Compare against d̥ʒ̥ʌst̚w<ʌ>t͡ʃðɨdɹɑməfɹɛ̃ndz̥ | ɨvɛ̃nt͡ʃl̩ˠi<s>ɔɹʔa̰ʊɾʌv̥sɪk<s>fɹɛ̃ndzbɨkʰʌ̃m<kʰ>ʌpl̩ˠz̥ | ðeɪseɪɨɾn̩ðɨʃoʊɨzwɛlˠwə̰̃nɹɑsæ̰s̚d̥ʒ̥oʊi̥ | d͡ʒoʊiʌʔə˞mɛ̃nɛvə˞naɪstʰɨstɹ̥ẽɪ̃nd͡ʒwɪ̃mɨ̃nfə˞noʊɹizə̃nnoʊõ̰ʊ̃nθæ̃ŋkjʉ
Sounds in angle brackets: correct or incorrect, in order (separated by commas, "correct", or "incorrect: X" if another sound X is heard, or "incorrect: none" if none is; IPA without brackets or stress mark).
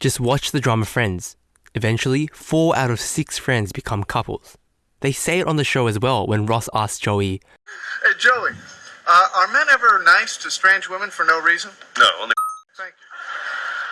incorrect: ɑ, incorrect: f, correct, correct